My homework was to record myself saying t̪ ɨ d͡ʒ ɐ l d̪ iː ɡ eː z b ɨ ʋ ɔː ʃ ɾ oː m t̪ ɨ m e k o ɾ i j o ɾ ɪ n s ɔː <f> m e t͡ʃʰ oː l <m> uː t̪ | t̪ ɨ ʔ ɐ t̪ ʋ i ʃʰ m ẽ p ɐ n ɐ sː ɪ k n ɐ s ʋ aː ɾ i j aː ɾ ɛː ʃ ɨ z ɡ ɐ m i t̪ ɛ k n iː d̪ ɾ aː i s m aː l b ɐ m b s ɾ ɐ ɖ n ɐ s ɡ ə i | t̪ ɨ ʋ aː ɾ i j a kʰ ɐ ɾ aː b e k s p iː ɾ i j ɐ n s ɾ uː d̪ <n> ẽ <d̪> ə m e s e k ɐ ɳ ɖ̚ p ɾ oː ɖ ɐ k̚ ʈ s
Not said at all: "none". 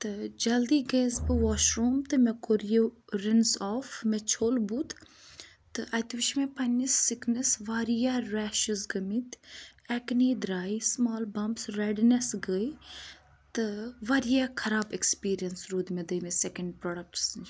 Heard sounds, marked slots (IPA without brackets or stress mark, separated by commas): f, b, m, d̪